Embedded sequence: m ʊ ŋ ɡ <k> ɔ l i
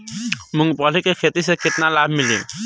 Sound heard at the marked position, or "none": p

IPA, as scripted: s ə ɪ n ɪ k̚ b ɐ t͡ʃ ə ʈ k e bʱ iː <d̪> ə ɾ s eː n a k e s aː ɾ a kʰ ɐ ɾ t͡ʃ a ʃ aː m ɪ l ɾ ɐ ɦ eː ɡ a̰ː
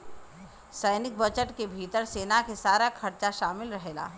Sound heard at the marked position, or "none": t̪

